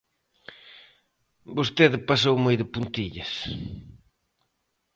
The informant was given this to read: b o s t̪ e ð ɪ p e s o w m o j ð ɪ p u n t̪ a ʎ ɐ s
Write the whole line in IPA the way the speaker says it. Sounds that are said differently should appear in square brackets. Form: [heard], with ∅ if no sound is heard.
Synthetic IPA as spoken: b o s t̪ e ð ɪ p [a] s o w m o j ð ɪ p u n t̪ [i] ʎ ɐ s